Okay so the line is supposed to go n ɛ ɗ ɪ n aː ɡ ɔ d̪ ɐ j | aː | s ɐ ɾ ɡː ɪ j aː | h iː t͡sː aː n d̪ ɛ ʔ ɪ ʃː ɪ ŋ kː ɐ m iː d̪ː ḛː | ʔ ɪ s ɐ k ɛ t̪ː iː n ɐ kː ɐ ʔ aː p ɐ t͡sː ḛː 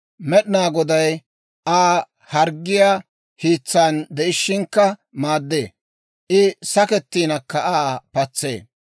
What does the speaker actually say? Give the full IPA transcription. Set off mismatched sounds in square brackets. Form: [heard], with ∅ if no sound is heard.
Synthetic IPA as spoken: [m] ɛ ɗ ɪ n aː ɡ ɔ d̪ ɐ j | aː | [h] ɐ ɾ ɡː ɪ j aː | h iː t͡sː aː n d̪ ɛ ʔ ɪ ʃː ɪ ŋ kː ɐ m [aː] d̪ː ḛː | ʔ ɪ s ɐ k ɛ t̪ː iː n ɐ kː ɐ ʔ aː p ɐ t͡sː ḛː